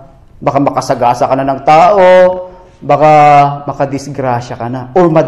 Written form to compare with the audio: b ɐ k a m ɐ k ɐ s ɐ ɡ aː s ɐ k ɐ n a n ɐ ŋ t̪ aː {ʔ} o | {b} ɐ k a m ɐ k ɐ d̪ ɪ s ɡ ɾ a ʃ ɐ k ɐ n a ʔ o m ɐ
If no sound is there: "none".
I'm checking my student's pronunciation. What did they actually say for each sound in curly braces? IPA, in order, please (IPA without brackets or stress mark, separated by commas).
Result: ʔ, b